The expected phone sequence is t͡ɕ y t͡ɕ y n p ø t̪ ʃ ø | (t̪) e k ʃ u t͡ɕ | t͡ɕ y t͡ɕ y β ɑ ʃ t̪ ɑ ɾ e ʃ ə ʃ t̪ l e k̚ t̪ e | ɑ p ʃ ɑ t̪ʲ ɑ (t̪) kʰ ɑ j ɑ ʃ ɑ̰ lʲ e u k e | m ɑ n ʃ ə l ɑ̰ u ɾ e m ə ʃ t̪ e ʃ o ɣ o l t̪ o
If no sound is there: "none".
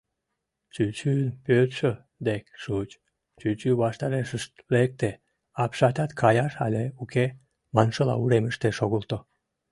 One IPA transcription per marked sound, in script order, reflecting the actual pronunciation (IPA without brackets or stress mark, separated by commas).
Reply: d̪, t̪